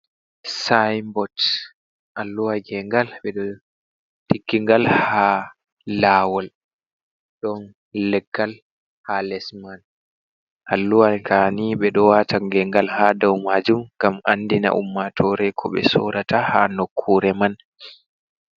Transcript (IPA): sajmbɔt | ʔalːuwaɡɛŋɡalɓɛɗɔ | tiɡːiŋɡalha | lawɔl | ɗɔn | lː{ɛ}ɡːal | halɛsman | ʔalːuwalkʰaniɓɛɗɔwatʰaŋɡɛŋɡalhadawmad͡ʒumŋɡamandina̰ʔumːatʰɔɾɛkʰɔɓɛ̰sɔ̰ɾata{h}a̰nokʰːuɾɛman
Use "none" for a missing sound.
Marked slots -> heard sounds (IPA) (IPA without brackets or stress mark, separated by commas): ɛ, h